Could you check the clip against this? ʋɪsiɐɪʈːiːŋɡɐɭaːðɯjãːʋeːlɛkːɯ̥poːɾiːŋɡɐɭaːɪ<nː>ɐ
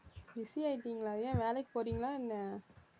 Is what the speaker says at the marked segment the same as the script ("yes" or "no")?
yes